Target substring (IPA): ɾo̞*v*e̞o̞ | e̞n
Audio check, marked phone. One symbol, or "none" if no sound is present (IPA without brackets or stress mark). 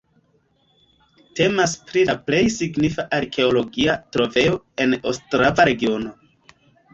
v